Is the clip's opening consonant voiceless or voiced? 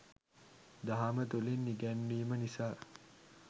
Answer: voiced